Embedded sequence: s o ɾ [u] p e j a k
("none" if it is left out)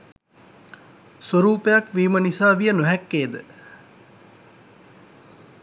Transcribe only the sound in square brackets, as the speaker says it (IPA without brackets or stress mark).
uː